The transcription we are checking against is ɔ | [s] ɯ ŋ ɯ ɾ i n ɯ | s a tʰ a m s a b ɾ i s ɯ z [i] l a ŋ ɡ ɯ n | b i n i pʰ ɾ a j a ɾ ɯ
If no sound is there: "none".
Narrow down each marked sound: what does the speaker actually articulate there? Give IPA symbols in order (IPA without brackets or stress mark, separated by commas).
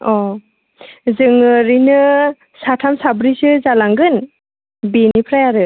z, a